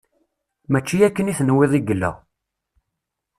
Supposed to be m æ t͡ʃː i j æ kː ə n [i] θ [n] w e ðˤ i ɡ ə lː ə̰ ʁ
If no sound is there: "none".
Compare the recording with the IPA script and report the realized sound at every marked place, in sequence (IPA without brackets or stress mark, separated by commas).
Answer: i, n